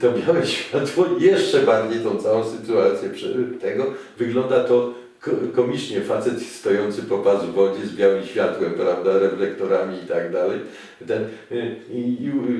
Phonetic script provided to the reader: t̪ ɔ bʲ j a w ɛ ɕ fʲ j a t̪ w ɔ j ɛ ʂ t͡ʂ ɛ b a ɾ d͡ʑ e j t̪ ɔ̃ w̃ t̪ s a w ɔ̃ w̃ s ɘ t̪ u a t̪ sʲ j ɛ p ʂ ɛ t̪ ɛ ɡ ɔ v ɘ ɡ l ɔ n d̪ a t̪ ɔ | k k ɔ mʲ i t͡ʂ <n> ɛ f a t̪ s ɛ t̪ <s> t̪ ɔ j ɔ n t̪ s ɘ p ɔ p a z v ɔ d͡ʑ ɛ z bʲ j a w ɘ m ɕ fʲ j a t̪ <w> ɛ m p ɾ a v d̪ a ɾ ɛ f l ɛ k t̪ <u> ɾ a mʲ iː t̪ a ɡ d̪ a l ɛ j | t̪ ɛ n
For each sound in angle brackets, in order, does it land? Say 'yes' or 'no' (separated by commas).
no, yes, yes, no